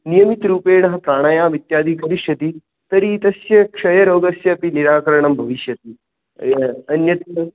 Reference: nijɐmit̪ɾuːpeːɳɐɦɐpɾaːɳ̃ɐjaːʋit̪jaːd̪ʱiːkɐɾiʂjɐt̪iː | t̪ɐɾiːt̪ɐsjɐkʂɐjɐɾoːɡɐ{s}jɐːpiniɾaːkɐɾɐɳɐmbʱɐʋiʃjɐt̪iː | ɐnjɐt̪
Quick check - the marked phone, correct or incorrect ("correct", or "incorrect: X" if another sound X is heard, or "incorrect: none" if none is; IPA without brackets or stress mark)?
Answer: correct